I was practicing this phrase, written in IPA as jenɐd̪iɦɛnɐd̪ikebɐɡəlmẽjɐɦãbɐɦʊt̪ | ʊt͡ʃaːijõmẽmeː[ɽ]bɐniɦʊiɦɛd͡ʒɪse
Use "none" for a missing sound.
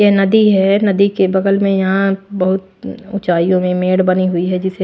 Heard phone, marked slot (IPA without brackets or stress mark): ɽ